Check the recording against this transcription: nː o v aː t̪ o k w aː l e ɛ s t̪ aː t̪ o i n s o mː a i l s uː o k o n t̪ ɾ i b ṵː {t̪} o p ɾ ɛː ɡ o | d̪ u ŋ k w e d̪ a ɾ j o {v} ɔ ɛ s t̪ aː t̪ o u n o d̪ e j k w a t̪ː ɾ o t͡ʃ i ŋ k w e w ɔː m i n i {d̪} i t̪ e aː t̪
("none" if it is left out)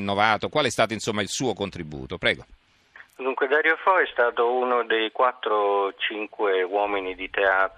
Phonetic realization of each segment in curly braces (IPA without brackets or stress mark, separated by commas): t̪, f, d̪